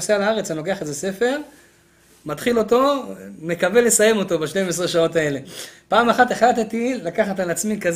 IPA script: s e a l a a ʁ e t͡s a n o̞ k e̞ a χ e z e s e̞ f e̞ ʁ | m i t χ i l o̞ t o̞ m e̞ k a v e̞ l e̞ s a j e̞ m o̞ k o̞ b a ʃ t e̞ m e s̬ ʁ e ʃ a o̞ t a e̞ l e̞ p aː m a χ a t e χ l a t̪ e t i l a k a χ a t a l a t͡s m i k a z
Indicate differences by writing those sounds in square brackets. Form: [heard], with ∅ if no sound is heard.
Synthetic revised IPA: s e a l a a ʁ e t͡s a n o̞ k e̞ a χ e z e s e̞ f e̞ ʁ | m [a] t χ i l o̞ t o̞ m e̞ k a v e̞ l e̞ s a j e̞ m o̞ [t] o̞ b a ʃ t e̞ m e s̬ ʁ e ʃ a o̞ t a e̞ l e̞ p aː m a χ a t e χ l a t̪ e t i l a k a χ a t a l a t͡s m i k a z